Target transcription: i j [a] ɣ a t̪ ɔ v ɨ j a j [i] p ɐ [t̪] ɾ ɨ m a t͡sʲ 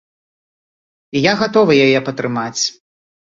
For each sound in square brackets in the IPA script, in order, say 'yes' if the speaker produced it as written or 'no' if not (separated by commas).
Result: yes, no, yes